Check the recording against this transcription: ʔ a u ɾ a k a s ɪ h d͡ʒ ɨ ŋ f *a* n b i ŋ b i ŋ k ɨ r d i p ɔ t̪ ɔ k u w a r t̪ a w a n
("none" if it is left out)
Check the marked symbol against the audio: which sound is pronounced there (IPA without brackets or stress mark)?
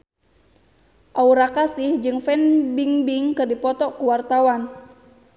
ɛ